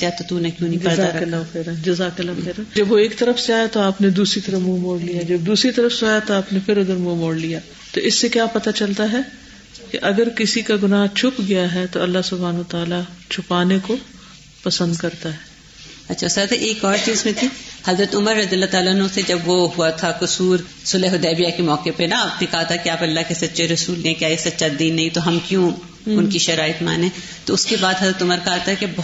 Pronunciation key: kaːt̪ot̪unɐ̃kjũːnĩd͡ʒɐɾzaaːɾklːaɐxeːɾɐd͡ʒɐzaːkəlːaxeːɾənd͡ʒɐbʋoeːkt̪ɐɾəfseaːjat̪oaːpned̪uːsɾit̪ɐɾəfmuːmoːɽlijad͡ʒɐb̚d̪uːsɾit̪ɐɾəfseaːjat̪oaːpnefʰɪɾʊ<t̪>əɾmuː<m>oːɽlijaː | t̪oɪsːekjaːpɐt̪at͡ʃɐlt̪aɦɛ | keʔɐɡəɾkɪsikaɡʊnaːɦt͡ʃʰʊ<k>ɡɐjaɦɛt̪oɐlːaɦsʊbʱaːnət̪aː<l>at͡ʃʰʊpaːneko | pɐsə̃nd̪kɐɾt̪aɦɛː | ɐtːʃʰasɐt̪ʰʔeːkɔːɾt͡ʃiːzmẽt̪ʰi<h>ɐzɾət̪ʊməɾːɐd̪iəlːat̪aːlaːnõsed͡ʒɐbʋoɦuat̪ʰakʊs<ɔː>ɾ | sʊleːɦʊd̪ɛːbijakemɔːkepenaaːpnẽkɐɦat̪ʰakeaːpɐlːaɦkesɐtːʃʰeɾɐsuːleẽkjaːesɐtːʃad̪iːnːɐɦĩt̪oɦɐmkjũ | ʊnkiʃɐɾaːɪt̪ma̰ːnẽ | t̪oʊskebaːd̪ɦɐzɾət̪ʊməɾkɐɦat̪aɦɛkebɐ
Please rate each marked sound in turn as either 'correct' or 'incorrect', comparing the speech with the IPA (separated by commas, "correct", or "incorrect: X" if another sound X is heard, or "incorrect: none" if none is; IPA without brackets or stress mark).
incorrect: d̪, correct, incorrect: p, correct, correct, incorrect: uː